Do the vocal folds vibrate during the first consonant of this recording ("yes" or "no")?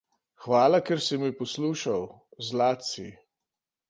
no